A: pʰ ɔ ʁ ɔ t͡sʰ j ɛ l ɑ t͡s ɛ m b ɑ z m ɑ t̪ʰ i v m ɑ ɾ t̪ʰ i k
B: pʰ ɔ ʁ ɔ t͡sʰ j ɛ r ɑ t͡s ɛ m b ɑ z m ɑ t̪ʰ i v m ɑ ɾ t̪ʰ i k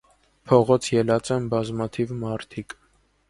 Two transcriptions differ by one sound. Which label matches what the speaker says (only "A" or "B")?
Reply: A